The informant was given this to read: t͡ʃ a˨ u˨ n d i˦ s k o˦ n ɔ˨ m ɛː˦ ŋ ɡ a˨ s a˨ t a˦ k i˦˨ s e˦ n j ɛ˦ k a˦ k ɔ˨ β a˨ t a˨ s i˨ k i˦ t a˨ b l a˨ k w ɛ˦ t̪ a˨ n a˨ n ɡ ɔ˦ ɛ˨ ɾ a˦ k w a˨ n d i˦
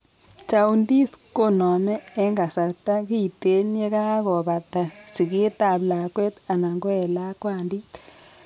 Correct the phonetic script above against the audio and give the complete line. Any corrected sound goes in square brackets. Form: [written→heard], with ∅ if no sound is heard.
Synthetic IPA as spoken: t͡ʃ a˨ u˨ n d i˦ s k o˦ n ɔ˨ m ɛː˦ ŋ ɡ a˨ s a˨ t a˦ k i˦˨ [s→t] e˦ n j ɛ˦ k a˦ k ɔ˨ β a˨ t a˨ s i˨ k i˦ t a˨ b l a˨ k w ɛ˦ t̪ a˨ n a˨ [n→ŋ] ɡ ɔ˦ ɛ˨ [ɾ→l] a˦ k w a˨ n d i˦